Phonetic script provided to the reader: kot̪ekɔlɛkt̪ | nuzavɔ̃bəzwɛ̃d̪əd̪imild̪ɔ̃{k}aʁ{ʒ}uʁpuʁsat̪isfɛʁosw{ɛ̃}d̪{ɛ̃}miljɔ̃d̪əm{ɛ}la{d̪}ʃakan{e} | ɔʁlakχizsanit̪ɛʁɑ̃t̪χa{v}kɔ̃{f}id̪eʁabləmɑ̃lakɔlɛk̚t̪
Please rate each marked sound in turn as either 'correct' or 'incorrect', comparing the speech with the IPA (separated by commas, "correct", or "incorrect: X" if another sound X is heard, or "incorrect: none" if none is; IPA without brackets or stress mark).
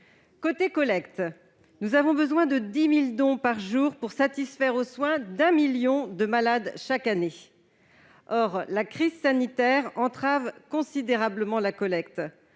incorrect: p, correct, correct, correct, incorrect: a, correct, correct, correct, incorrect: s